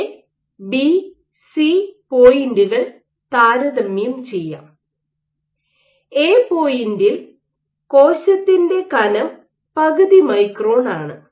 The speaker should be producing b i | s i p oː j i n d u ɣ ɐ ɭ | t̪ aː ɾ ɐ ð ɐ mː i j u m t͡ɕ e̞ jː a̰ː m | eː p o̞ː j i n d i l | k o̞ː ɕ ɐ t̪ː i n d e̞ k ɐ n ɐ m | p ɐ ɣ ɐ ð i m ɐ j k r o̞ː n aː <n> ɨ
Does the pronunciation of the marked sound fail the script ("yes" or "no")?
yes